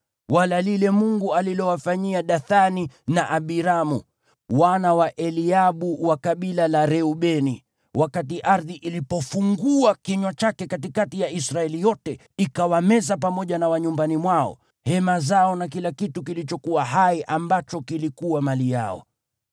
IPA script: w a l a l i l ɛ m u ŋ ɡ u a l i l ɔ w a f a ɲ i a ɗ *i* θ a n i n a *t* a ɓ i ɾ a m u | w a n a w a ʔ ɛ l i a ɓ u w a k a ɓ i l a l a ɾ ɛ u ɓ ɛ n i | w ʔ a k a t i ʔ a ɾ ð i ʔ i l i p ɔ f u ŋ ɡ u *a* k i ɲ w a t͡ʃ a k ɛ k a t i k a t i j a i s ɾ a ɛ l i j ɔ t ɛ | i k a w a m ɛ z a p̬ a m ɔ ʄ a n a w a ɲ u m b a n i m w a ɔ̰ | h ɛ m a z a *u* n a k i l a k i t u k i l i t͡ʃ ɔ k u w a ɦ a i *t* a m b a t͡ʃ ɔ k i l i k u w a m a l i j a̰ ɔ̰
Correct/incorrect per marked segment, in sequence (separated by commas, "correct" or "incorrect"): incorrect, incorrect, correct, incorrect, incorrect